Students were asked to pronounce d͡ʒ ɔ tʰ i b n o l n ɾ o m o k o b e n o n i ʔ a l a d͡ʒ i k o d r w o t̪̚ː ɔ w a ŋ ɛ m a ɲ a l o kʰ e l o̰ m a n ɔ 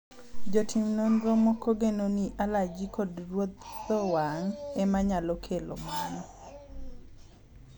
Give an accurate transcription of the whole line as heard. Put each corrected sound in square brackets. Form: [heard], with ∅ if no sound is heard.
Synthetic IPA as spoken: d͡ʒ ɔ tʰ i [m] n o [∅] n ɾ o m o k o [ɡ] e n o n i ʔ a l a d͡ʒ i k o d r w o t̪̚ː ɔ w a ŋ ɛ m a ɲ a l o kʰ e l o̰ m a n ɔ